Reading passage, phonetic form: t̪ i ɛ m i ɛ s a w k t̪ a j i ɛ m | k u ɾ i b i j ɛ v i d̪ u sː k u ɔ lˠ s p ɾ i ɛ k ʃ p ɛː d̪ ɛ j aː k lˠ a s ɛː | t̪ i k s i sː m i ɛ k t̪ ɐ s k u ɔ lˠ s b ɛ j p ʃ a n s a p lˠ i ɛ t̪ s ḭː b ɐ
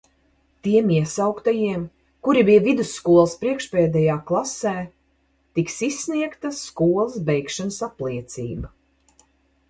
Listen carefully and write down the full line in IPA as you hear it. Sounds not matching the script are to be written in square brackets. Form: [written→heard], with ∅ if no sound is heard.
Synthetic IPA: t̪ i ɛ m i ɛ s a w k t̪ a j i ɛ m | k u ɾ i b i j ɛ v i d̪ u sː k u ɔ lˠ s p ɾ i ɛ k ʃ p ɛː d̪ ɛ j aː k lˠ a s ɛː | t̪ i k s i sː [m→n] i ɛ k t̪ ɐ s k u ɔ lˠ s b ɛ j [p→k] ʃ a n s a p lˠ i ɛ t̪ s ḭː b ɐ